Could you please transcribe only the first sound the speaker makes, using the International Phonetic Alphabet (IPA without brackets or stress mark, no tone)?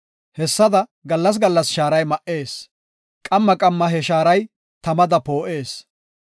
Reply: h